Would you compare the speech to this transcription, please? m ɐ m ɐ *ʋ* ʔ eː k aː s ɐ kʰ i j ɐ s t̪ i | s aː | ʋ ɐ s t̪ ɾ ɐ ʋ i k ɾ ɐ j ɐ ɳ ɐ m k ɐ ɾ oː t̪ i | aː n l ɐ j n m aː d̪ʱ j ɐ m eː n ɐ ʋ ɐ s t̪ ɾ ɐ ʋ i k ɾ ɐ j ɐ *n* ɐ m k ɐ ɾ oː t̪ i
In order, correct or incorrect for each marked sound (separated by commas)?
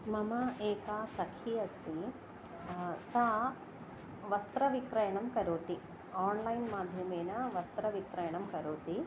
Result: incorrect, incorrect